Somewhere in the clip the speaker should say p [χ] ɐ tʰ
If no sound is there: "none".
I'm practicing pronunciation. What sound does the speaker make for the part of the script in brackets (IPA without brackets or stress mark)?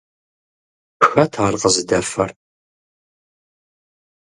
x